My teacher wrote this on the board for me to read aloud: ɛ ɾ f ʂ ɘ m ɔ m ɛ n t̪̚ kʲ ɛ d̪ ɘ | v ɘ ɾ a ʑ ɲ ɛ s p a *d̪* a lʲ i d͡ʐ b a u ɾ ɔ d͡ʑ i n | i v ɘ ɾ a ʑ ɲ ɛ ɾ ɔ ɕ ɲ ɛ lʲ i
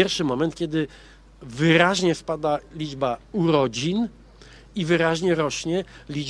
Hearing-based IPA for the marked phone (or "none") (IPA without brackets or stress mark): d̪